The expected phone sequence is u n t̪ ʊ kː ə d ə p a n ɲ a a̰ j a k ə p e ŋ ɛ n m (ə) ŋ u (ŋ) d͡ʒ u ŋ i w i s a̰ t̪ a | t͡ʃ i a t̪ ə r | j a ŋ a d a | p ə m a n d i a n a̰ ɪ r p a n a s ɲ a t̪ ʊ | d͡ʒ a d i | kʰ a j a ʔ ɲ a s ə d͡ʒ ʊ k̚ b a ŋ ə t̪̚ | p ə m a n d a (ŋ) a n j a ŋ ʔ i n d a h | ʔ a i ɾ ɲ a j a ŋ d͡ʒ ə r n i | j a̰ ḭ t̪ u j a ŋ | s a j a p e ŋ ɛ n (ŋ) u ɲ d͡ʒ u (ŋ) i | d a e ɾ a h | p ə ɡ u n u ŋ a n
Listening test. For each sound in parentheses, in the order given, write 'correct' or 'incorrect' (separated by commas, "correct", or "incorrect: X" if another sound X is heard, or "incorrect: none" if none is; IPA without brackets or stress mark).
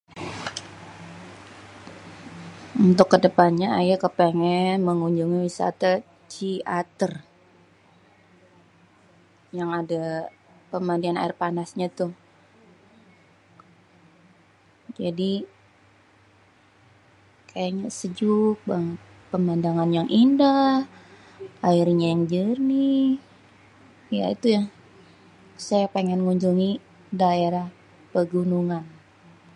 correct, incorrect: ɲ, correct, correct, correct